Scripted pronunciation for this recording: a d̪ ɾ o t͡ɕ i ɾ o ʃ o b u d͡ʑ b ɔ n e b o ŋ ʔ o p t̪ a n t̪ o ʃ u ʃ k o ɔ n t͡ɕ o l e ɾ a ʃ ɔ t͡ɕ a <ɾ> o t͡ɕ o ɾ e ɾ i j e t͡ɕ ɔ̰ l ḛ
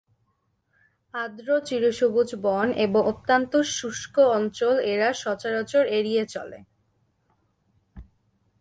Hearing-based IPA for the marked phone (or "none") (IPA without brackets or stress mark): ɾ